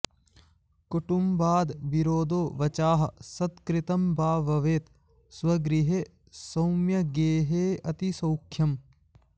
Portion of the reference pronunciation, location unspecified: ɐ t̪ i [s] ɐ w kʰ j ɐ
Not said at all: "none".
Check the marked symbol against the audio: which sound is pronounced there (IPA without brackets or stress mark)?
s